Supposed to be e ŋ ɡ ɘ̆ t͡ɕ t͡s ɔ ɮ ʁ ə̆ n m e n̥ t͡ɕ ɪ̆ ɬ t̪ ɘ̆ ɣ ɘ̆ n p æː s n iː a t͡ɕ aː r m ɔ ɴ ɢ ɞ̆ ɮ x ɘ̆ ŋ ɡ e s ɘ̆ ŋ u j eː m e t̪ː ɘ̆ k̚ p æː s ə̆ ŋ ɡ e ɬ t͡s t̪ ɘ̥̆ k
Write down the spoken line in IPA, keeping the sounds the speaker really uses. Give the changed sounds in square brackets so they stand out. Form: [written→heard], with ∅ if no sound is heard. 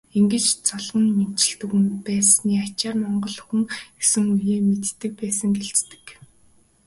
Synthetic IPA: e ŋ ɡ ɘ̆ t͡ɕ t͡s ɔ ɮ ʁ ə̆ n m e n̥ t͡ɕ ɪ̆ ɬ t̪ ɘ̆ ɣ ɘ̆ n p æː s n iː a t͡ɕ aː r m ɔ ɴ ɢ ɞ̆ ɮ x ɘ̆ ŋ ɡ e s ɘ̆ ŋ u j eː m e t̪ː ɘ̆ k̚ p æː s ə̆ ŋ ɡ e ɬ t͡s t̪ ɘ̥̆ k